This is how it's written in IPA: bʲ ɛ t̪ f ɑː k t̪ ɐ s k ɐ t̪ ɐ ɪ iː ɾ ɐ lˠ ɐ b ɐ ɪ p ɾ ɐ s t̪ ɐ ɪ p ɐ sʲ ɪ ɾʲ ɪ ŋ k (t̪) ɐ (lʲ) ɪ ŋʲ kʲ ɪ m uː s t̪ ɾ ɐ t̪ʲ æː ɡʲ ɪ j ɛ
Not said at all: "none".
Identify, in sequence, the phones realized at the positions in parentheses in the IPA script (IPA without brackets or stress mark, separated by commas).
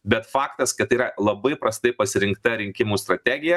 t̪, ɾʲ